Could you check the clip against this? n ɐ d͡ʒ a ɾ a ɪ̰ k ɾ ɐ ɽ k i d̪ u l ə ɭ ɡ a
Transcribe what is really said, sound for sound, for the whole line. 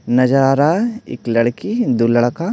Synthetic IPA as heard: n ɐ d͡ʒ a ɾ a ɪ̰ k l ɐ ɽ k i d̪ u l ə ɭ k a